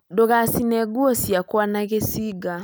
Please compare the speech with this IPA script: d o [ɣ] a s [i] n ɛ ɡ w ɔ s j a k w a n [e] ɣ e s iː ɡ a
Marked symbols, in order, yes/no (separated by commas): yes, yes, no